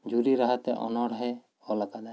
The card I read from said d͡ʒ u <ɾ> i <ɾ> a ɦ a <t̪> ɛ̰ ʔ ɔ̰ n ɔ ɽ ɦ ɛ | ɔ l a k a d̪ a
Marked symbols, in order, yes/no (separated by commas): yes, yes, yes